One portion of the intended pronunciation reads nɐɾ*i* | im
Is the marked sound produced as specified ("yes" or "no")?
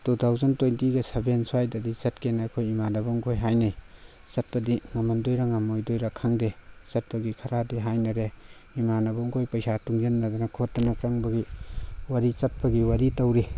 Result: no